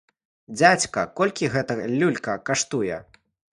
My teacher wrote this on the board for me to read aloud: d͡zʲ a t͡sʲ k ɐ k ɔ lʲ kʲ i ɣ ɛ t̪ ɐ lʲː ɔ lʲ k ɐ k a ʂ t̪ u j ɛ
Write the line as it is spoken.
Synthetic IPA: d͡zʲ a t͡sʲ k ɐ k ɔ lʲ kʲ i ɣ ɛ t̪ ɐ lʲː u lʲ k ɐ k a ʂ t̪ u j ɛ